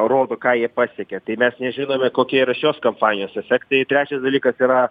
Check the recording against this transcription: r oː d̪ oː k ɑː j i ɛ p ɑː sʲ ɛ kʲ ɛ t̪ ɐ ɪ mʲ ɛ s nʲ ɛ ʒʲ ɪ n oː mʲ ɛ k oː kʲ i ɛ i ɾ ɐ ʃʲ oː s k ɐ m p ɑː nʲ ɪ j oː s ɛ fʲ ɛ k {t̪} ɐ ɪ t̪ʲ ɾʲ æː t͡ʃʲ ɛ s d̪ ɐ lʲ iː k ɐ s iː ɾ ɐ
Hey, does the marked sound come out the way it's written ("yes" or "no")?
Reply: yes